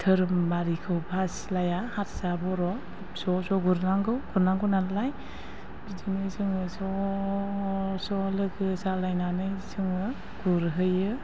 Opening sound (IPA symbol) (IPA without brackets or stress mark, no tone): tʰ